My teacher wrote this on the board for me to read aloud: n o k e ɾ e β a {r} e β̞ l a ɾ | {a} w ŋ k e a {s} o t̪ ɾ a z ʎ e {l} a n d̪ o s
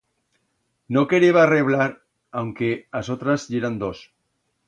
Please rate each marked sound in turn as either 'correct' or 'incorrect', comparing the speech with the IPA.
correct, correct, correct, incorrect: ɾ

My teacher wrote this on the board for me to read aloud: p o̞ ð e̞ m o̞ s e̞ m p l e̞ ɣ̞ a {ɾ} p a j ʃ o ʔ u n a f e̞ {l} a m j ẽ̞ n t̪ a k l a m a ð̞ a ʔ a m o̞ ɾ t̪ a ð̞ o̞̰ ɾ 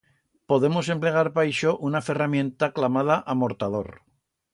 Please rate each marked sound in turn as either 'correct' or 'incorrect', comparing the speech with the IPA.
correct, incorrect: r

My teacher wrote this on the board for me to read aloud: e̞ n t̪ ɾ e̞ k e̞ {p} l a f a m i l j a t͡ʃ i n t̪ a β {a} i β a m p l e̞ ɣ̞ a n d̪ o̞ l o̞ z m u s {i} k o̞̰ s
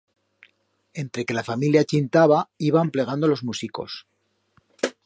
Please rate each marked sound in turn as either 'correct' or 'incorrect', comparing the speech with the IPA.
incorrect: none, correct, correct

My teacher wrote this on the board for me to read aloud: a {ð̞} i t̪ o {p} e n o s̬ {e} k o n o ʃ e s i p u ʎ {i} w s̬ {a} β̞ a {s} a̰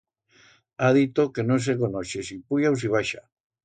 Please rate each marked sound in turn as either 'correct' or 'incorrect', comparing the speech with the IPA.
correct, incorrect: k, correct, incorrect: a, incorrect: i, incorrect: ʃ

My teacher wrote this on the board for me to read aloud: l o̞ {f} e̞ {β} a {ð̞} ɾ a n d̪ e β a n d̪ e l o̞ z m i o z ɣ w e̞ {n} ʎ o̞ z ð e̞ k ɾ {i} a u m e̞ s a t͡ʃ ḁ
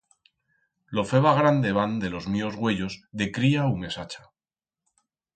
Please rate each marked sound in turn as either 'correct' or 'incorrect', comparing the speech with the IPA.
correct, correct, incorrect: ɣ̞, incorrect: none, correct

